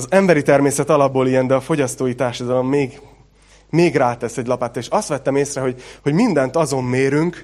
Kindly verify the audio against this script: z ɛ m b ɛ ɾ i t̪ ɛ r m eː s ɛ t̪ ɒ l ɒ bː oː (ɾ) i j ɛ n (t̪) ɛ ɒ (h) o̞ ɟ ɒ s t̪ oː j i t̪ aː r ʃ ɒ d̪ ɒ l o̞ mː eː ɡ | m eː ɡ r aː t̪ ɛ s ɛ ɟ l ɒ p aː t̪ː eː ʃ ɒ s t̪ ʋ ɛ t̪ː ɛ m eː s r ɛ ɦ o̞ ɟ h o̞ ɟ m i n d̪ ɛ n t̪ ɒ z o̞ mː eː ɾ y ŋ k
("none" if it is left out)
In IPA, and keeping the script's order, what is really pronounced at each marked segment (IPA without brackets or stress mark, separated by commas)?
l, d̪, f